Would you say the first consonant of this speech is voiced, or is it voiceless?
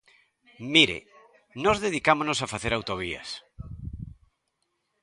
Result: voiced